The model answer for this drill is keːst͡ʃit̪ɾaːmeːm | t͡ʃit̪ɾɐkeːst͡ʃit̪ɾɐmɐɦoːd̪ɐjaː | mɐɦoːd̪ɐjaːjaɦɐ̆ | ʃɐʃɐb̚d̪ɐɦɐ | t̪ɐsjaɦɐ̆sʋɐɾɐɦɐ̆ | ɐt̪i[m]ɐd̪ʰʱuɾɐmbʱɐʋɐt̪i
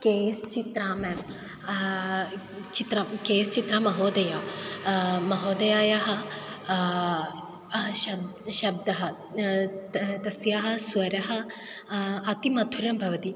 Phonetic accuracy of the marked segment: correct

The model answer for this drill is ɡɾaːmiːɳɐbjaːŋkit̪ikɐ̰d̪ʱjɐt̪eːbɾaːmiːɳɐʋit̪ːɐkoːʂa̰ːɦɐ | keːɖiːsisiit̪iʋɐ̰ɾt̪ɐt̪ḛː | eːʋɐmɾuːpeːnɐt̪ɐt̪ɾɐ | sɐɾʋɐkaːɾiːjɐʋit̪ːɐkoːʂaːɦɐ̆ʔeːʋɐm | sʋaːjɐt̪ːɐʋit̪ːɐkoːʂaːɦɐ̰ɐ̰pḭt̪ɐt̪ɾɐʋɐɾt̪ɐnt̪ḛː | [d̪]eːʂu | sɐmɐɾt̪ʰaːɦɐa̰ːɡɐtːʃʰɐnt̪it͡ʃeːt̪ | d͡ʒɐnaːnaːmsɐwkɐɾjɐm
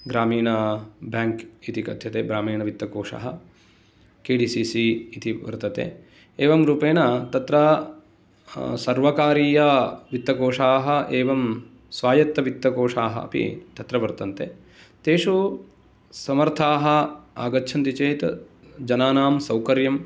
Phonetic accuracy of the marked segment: incorrect: t̪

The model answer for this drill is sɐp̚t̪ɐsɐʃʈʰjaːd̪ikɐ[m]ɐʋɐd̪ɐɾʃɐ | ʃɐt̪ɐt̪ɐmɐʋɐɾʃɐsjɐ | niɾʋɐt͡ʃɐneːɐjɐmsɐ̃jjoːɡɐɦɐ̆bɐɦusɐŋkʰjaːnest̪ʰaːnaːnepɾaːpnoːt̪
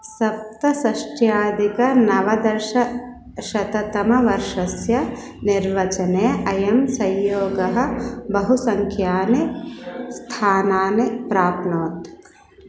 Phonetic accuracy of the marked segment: incorrect: n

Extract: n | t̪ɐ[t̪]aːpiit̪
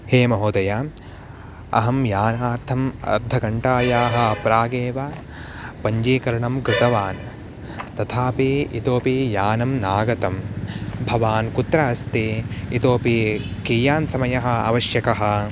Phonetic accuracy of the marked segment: incorrect: t̪ʰ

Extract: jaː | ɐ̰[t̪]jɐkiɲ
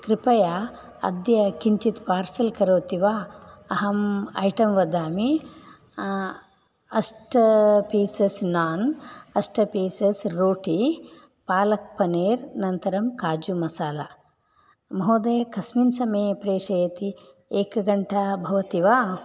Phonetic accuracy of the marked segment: incorrect: d̪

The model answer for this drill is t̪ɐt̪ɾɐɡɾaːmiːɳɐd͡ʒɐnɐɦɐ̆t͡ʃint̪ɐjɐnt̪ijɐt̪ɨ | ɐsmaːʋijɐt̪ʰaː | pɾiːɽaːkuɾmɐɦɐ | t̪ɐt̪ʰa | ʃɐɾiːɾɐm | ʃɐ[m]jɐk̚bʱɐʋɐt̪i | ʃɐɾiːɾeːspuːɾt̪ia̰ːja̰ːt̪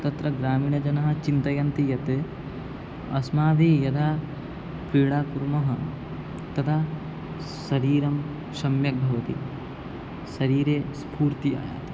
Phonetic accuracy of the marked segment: correct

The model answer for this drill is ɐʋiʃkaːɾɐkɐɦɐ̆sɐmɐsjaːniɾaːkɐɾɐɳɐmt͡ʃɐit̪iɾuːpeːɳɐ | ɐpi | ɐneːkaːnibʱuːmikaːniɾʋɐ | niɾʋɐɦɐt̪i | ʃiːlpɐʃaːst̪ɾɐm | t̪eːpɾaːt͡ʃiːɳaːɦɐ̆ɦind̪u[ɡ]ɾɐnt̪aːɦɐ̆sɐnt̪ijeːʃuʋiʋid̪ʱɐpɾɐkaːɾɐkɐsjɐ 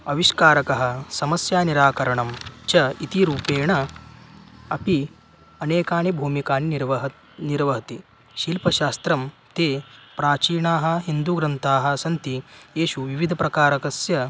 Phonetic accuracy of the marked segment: correct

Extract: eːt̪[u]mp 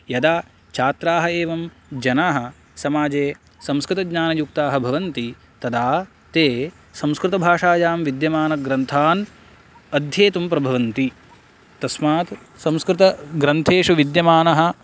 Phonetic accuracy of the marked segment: correct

